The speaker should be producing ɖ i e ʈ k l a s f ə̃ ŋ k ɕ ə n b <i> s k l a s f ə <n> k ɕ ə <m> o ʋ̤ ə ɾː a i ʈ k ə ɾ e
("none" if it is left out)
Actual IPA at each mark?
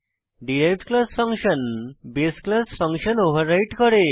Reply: e, ŋ, n

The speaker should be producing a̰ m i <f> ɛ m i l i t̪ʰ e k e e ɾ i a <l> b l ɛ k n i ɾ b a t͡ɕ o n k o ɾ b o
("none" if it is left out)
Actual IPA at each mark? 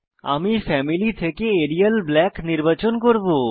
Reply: f, l

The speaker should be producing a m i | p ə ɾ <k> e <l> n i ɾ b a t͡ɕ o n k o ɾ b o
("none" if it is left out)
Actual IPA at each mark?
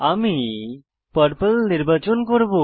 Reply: p, l

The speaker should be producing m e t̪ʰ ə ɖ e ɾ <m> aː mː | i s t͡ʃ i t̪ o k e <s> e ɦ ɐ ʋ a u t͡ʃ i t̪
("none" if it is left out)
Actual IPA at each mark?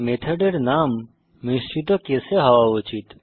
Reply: n, s

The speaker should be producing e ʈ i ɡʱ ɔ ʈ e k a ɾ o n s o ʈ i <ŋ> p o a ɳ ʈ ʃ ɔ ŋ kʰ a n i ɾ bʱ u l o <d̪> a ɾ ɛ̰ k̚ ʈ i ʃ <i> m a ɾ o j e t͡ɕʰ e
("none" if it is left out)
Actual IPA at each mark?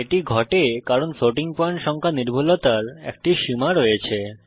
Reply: ŋ, t̪, i

